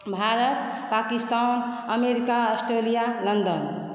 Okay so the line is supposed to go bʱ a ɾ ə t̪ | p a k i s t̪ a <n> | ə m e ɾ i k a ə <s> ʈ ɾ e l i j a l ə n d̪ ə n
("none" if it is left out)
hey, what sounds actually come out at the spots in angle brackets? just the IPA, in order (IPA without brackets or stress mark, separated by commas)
n, s